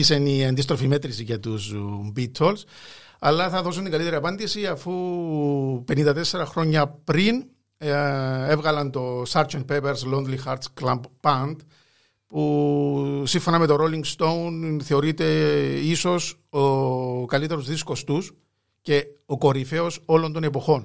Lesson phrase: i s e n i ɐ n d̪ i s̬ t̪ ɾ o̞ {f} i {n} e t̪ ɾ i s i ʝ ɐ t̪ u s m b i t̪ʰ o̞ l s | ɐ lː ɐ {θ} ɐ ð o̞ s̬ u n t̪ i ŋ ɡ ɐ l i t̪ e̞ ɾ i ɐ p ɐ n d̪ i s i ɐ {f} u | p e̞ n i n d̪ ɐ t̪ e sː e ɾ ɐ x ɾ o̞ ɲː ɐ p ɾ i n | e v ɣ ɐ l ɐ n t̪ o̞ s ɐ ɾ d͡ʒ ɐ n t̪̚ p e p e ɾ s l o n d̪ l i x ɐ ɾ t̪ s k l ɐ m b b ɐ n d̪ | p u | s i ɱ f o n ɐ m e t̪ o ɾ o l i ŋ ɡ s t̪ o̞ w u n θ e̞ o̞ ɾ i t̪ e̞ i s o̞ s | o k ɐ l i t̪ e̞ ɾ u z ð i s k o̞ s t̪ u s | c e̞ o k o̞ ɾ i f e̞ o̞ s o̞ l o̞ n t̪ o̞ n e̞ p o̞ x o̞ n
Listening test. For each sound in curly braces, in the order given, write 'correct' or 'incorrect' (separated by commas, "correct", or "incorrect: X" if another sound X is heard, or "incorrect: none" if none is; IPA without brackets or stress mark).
correct, incorrect: m, correct, correct